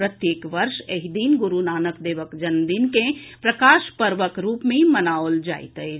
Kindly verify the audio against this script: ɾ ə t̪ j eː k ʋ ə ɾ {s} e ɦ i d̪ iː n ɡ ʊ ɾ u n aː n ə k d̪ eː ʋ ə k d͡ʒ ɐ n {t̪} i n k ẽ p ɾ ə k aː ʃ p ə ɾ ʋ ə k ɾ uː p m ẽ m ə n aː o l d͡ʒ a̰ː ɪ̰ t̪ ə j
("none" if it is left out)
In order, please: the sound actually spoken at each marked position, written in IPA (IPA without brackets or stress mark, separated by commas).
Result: ʃ, d̪